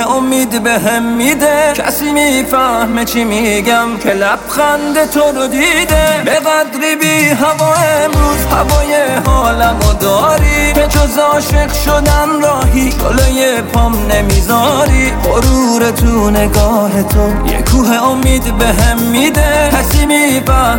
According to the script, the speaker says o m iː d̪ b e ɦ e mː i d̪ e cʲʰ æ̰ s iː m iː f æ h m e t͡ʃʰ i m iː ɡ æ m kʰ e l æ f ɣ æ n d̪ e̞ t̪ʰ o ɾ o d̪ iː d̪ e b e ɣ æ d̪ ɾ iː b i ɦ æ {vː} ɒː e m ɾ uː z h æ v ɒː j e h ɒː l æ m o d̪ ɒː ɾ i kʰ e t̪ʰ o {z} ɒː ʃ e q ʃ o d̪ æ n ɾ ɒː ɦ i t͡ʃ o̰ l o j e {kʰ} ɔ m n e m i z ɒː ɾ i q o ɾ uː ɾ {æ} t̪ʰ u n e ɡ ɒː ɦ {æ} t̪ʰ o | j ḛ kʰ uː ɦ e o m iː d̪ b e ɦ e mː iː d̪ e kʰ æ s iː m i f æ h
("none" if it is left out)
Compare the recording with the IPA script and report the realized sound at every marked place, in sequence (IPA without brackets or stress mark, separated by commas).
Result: v, z, pʰ, e, e